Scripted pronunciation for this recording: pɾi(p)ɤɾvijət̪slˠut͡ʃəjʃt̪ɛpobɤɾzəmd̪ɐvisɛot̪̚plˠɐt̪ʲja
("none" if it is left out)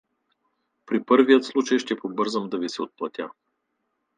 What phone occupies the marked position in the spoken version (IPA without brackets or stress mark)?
p